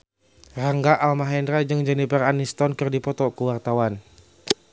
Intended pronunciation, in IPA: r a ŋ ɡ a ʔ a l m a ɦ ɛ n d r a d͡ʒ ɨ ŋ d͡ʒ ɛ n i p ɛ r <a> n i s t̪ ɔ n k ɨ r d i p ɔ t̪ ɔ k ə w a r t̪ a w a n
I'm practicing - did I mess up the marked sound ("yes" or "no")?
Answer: no